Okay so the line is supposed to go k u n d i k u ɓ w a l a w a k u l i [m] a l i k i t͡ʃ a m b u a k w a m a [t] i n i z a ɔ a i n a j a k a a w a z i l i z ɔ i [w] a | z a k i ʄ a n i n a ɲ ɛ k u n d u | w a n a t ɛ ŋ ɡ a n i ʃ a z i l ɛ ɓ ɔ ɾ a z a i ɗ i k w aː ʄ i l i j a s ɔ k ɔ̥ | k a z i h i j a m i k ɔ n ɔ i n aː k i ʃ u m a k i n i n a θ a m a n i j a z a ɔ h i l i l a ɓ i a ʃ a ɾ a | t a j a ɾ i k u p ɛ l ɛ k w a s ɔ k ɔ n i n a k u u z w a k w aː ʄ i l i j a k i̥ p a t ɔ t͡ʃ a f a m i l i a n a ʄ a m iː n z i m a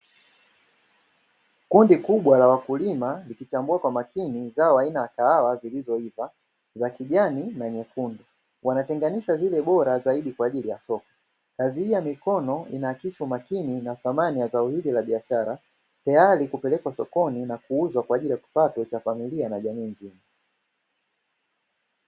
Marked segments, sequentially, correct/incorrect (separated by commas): correct, incorrect, incorrect